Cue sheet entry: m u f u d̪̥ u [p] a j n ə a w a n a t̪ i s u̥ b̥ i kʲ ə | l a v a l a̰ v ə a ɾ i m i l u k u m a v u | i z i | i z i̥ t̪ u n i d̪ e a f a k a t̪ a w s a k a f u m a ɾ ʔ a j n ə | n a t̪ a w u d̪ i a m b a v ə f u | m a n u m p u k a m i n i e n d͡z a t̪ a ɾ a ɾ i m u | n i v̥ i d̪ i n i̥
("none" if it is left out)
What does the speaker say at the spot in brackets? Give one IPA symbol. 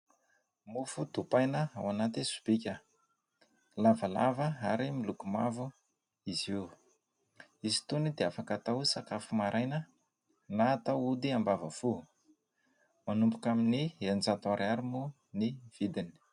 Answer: p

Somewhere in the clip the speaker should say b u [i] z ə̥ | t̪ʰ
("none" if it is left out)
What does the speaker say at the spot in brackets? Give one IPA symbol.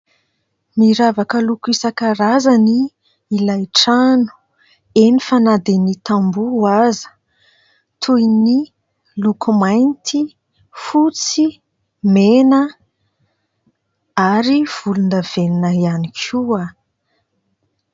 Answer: a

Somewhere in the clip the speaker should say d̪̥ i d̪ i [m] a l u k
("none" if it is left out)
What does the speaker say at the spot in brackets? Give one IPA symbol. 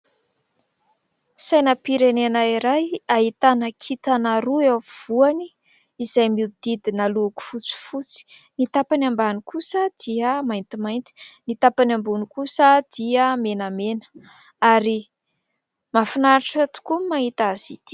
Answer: n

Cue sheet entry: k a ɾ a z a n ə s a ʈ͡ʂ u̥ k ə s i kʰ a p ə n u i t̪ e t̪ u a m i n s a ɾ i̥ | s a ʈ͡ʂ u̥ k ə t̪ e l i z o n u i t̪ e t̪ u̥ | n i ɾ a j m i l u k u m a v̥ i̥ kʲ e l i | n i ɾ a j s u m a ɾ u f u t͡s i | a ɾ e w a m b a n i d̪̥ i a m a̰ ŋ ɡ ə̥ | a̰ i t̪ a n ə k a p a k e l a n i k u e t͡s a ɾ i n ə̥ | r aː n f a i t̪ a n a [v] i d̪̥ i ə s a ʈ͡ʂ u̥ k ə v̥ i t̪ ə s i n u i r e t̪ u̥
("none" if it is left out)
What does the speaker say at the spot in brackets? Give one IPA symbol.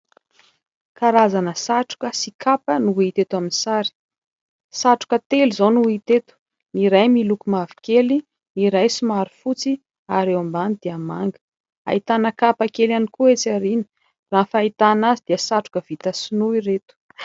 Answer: z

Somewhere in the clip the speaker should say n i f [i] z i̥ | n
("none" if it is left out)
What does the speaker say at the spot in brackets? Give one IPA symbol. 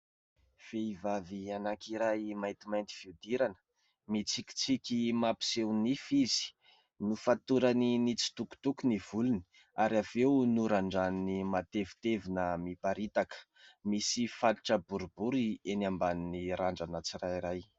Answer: i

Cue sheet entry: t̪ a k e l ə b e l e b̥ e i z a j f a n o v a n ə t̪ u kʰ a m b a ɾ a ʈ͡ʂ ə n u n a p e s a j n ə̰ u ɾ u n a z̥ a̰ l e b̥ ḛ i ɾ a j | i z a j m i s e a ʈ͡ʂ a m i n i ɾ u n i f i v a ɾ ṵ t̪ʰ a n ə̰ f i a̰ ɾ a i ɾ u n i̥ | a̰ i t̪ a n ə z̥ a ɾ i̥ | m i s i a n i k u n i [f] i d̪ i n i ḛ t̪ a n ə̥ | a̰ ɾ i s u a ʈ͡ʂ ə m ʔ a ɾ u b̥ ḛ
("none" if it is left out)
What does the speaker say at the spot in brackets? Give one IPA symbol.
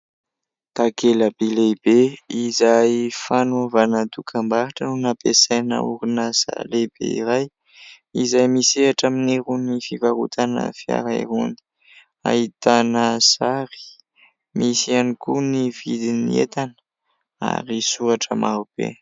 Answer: v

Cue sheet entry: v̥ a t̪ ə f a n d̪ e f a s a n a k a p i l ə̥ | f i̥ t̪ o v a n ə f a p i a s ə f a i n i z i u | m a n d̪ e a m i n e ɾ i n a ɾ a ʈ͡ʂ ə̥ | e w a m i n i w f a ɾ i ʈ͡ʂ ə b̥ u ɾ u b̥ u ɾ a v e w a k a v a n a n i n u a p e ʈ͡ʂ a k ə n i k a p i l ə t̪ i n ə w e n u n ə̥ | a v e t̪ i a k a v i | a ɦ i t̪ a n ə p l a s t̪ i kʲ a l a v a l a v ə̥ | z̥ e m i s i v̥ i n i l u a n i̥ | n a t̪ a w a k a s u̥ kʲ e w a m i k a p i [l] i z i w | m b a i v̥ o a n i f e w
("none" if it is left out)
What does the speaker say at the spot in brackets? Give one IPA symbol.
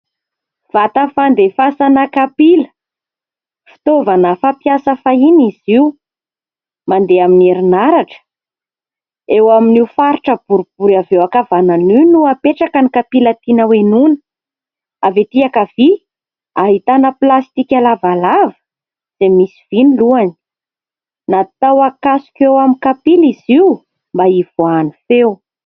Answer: l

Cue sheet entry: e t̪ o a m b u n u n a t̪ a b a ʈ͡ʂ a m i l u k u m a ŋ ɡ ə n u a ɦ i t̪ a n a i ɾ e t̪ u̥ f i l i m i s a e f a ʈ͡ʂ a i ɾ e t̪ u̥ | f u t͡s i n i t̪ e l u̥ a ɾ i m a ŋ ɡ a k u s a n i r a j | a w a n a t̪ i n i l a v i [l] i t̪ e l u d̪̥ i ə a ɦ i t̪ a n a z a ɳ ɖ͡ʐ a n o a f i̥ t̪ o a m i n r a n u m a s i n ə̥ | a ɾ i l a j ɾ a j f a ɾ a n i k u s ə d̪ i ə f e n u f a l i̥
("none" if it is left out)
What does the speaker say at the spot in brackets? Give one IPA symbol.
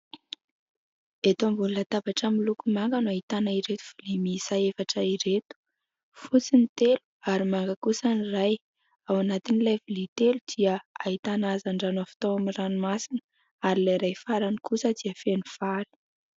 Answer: l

